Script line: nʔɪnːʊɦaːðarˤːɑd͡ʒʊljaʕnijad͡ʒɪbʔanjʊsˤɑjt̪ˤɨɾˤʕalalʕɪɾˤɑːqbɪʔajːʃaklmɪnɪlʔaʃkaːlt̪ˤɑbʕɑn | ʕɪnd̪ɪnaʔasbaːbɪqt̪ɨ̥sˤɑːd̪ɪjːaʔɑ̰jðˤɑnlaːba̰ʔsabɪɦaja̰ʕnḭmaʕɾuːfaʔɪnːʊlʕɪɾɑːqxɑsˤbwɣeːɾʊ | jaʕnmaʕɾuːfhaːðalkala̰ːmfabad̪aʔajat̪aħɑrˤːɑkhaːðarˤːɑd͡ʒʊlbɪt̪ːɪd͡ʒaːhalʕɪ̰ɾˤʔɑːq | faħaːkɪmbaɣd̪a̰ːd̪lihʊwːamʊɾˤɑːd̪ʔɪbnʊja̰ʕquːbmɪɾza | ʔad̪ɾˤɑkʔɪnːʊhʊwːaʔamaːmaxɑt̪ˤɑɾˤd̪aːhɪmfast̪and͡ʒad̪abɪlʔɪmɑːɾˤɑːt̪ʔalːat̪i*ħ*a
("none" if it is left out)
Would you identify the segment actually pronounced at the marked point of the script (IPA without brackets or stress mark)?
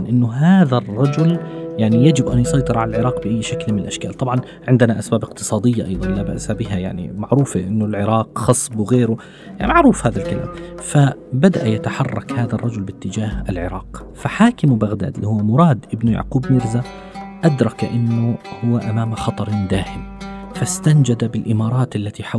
ħ